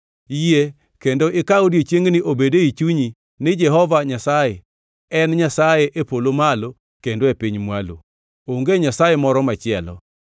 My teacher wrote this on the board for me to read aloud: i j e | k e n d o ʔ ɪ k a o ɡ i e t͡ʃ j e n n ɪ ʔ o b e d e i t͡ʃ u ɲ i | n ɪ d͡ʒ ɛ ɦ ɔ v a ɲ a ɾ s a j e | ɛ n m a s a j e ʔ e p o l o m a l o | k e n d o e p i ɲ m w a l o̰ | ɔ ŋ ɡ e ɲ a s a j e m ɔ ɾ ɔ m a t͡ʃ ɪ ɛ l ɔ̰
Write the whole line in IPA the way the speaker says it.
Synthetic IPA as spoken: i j e | k e n d o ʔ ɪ k a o d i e t͡ʃ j e ŋ n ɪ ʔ o b e d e i t͡ʃ u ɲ i | n ɪ d͡ʒ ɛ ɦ ɔ v a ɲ a s a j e | ɛ n ɲ a s a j e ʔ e p o l o m a l o | k e n d o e p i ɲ m w a l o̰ | o ŋ ɡ e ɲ a s a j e m ɔ ɾ ɔ m a t͡ʃ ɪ ɛ l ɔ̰